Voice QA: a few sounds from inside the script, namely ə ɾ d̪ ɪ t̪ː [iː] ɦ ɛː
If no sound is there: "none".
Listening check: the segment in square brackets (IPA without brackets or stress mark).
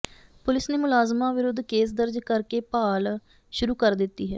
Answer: iː